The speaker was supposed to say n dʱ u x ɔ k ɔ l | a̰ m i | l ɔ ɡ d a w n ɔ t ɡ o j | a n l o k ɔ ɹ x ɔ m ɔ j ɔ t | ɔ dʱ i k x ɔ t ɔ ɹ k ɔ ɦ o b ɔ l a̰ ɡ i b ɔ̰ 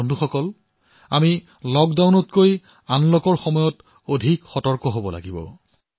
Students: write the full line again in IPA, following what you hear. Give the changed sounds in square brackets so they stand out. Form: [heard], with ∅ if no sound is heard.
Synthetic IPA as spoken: n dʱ u x ɔ k ɔ l | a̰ m i | l ɔ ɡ d a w n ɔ t [k] o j | a n l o k ɔ ɹ x ɔ m ɔ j ɔ t | [o] dʱ i k x ɔ t ɔ ɹ k ɔ ɦ o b ɔ l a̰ ɡ i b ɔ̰